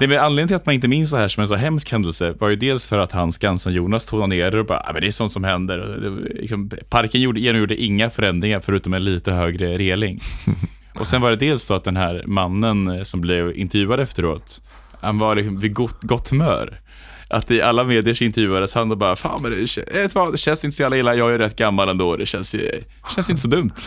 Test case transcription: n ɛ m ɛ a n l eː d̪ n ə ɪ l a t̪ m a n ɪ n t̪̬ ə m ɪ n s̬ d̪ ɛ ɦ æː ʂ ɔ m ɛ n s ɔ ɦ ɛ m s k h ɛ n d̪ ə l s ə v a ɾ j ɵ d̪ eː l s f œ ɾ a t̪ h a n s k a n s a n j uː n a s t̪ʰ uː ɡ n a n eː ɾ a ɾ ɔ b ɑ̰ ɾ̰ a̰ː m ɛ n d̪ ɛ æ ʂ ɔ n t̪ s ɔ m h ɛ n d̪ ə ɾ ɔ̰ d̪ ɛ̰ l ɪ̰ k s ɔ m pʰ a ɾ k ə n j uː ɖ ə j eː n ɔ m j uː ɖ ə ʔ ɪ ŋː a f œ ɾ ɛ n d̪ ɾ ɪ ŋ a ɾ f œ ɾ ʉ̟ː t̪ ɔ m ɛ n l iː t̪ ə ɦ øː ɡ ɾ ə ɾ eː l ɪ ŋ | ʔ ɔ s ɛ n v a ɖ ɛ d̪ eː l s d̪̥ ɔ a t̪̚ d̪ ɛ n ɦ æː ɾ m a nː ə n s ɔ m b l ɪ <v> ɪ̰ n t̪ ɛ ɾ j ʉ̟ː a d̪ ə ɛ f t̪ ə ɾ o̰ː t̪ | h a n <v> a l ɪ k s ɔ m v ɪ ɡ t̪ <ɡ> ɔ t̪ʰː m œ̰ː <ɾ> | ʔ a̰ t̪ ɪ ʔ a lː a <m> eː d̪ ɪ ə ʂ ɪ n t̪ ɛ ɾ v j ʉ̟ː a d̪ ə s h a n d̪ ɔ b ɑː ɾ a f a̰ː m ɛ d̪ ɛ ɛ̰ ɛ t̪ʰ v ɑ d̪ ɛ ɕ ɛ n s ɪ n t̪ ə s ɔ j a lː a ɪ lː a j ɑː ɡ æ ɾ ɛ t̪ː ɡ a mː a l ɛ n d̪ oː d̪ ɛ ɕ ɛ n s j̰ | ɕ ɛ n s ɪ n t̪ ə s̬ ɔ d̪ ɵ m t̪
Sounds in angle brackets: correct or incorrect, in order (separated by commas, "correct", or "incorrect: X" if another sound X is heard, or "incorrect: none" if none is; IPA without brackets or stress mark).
correct, correct, correct, correct, correct